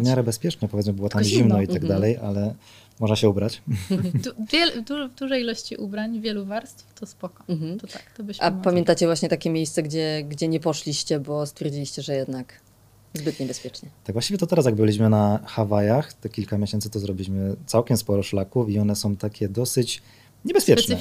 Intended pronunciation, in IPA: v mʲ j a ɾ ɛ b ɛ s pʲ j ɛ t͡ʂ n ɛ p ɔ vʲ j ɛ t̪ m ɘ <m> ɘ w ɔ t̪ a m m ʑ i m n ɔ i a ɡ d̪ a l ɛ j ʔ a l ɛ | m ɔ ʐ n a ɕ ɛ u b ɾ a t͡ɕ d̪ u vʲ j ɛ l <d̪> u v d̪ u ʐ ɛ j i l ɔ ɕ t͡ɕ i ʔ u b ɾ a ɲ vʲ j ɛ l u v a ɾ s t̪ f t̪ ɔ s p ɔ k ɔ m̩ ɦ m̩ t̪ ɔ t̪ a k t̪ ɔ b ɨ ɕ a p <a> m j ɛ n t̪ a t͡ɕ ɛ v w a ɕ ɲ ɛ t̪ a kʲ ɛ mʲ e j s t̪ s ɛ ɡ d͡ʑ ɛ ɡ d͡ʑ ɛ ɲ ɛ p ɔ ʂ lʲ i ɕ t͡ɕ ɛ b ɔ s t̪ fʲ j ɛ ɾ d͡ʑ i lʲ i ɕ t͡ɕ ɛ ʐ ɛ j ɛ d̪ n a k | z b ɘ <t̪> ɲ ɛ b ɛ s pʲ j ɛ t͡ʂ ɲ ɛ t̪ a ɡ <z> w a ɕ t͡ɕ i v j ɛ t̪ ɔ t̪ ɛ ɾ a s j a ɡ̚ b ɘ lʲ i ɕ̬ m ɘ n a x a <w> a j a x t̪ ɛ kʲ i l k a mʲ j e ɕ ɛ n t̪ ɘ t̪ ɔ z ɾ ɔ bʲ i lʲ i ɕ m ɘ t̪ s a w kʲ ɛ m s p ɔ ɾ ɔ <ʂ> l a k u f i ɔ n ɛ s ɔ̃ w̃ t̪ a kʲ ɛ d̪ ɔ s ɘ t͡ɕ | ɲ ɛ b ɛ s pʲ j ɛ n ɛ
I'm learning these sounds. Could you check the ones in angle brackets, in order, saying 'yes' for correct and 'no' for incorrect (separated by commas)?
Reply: no, yes, yes, yes, no, no, yes